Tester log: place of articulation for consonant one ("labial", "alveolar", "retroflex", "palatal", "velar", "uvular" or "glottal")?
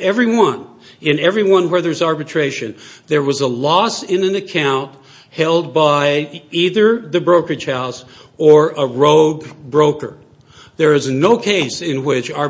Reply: labial